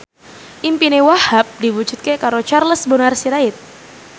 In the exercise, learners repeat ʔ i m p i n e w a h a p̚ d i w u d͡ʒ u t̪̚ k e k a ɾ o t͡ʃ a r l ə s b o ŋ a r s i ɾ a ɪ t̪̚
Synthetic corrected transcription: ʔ i m p i n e w a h a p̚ d i w u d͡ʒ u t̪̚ k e k a ɾ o t͡ʃ a r l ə s b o n a r s i ɾ a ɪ t̪̚